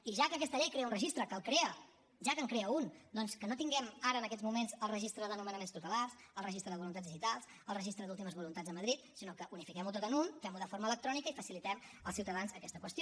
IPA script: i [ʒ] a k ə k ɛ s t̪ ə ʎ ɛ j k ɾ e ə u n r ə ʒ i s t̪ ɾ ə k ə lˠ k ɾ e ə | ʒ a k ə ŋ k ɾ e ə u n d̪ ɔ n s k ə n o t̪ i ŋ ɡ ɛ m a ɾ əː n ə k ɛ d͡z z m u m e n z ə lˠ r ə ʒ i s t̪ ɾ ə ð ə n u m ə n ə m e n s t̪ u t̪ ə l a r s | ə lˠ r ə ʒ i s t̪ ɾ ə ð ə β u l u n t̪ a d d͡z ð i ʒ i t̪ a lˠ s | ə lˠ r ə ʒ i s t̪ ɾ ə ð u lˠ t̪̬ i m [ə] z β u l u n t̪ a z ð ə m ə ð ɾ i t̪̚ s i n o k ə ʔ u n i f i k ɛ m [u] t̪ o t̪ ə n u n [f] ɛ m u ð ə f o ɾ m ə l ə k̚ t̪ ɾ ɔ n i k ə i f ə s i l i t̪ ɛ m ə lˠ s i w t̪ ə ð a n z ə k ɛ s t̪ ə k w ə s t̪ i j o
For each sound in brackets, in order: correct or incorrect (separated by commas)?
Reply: correct, correct, correct, correct